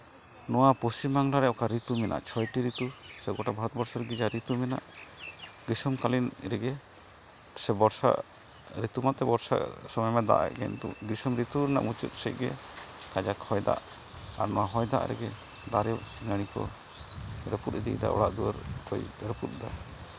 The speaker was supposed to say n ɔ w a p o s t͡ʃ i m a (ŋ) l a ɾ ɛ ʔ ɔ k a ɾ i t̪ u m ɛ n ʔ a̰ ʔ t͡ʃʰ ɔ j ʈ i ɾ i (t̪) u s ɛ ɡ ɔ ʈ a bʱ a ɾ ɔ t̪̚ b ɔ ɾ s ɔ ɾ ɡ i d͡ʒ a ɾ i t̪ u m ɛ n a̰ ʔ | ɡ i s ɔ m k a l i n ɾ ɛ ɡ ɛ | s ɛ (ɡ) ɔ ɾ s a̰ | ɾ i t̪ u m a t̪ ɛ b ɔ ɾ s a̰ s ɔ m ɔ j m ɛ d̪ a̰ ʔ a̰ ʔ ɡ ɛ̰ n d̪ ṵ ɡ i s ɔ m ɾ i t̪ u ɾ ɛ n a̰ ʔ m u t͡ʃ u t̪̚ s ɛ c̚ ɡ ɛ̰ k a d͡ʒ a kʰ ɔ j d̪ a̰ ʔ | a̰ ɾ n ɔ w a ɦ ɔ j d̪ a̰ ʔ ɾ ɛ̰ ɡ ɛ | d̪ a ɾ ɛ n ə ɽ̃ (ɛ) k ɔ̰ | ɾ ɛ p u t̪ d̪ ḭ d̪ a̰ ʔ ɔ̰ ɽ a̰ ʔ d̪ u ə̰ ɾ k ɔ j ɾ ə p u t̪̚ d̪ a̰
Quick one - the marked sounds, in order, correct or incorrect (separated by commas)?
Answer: correct, correct, incorrect, incorrect